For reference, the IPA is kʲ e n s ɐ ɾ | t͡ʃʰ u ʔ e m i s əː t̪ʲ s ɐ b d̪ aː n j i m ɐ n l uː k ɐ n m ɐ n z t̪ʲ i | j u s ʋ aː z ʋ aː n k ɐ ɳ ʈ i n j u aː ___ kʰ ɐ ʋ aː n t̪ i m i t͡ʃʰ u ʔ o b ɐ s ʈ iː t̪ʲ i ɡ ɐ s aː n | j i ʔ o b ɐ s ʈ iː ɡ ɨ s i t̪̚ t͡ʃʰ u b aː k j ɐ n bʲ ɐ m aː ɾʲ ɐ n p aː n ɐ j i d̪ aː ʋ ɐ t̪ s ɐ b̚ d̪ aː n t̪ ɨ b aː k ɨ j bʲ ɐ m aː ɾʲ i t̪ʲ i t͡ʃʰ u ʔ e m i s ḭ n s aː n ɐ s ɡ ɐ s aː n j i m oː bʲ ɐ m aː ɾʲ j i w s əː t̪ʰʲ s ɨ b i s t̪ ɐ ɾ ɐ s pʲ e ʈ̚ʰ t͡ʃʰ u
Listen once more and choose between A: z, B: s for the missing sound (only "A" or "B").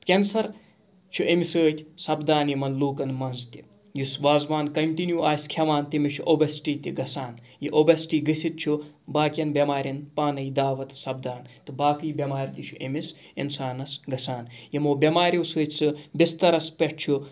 B